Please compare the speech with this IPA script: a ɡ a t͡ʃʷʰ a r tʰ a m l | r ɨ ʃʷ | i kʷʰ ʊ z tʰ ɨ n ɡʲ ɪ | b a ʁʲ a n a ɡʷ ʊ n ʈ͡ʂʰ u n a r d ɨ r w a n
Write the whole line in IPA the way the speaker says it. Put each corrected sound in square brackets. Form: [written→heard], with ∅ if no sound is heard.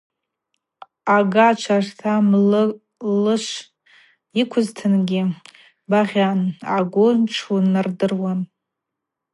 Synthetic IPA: a ɡ a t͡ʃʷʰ a r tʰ a m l | [r→l] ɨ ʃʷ | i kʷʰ ʊ z tʰ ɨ n ɡʲ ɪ | b a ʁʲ a n a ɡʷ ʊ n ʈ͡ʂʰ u n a r d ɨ r w a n